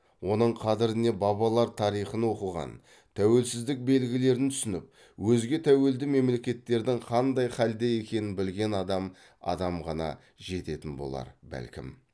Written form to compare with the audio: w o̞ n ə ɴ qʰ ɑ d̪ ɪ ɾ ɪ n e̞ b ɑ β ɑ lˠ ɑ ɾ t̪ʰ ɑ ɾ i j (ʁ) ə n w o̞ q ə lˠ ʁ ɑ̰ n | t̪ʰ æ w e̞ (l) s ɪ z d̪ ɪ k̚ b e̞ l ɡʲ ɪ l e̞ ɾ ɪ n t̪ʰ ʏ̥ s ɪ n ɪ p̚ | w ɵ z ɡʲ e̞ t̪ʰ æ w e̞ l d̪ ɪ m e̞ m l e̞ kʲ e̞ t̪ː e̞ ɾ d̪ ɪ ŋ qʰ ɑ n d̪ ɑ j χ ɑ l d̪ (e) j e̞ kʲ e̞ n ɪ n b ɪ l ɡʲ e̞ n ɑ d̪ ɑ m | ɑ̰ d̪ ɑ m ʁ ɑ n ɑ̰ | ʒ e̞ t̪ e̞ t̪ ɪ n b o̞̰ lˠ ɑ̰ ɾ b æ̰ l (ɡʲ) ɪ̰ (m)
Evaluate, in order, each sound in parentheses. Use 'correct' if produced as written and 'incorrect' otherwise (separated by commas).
incorrect, correct, correct, incorrect, correct